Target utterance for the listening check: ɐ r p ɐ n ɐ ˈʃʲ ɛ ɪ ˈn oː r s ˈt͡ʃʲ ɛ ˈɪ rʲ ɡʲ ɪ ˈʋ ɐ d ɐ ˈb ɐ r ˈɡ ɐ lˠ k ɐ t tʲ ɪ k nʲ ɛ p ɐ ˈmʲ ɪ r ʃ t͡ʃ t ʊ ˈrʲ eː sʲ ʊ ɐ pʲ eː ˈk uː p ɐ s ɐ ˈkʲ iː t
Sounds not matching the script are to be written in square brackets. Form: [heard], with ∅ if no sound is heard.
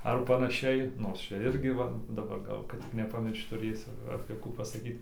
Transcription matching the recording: ɐ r p ɐ n ɐ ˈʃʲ ɛ ɪ ˈn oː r s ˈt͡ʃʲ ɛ ˈɪ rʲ ɡʲ ɪ ˈʋ ɐ d ɐ ˈb ɐ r ˈɡ ɐ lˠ k ɐ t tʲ ɪ k nʲ ɛ p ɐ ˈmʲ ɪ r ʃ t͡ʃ t ʊ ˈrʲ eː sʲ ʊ ɐ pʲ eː ˈk uː p ɐ s ɐ ˈkʲ iː t